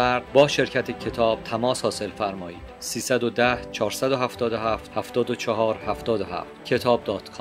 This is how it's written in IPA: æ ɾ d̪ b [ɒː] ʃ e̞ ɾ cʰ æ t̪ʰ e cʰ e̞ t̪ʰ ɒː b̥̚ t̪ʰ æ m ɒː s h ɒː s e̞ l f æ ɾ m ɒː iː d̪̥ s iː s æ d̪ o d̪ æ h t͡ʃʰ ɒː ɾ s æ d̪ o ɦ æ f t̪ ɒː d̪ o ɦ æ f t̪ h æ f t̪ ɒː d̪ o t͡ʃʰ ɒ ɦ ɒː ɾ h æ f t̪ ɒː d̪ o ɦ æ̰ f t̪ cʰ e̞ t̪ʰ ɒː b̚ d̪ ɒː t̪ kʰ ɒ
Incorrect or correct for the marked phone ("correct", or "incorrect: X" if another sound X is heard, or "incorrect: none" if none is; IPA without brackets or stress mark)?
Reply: correct